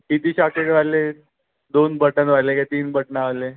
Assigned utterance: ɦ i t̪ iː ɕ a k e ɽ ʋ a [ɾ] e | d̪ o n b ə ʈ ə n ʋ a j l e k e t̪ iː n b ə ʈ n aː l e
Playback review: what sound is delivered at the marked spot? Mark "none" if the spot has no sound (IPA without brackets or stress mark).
l